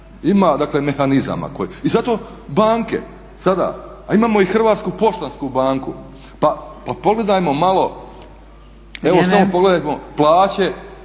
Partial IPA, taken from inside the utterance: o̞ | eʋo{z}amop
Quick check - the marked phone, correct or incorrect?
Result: incorrect: s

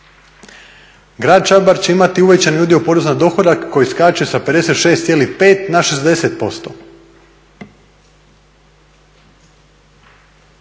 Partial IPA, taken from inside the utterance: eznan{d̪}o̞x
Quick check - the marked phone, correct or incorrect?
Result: correct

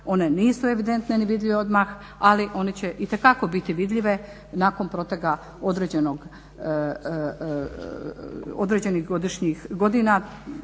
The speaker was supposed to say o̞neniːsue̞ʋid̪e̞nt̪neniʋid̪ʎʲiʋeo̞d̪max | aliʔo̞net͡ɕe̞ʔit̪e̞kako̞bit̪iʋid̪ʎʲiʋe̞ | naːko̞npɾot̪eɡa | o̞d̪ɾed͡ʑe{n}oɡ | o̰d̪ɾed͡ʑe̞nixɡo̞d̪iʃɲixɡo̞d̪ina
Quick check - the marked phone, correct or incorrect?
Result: correct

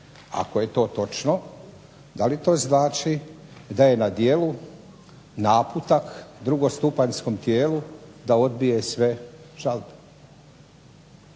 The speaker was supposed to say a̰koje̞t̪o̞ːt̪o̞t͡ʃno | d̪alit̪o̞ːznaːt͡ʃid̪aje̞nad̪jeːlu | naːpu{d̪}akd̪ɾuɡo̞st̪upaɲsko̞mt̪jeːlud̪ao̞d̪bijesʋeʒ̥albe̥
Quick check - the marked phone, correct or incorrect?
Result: incorrect: t̪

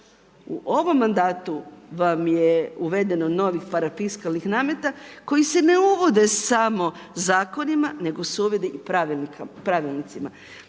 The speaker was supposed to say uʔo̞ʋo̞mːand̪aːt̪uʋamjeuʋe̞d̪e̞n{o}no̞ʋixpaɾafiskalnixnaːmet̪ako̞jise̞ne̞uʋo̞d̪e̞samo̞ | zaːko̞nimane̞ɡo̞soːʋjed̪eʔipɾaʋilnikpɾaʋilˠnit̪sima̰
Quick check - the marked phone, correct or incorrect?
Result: correct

